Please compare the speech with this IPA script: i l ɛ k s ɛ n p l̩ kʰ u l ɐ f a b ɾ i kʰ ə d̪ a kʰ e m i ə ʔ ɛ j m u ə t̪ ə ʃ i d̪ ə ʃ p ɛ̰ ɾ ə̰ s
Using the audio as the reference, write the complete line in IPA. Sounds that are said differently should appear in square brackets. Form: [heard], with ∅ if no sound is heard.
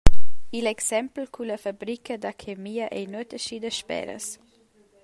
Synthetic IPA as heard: i l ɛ k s ɛ [m] p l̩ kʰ u l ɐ f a b ɾ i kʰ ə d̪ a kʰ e m i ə ʔ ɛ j [n] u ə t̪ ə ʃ i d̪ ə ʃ p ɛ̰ ɾ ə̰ s